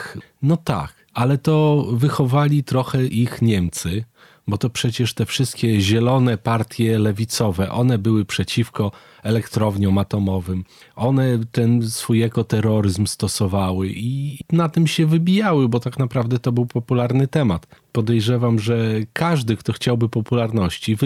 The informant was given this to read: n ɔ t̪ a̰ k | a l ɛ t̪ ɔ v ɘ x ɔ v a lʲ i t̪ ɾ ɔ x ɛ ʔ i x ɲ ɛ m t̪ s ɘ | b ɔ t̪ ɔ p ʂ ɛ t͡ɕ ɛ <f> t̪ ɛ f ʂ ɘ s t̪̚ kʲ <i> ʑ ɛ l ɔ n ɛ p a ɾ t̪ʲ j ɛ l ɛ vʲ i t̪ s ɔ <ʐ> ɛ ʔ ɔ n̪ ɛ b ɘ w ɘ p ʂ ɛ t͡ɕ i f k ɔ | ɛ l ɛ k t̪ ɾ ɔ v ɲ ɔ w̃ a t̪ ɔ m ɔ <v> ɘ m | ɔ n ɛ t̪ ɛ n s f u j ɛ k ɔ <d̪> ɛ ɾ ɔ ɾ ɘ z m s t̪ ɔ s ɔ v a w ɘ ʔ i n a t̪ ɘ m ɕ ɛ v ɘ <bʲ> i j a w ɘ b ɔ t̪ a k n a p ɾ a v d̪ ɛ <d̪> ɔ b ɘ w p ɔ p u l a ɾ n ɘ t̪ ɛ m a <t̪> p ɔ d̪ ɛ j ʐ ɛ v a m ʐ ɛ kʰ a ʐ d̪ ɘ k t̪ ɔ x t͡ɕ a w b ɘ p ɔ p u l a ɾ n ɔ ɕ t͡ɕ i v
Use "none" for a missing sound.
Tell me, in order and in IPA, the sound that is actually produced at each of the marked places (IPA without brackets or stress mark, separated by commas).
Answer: ʂ, ɛ, v, v, t̪, bʲ, t̪, t̪